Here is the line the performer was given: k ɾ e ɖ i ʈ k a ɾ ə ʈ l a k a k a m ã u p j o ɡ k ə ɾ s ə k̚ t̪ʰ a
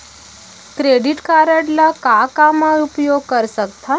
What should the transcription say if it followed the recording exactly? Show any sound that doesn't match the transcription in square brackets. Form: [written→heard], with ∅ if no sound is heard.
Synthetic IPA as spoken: k ɾ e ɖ i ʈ k a ɾ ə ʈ l a k a k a m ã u p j o ɡ k ə ɾ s ə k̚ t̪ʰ a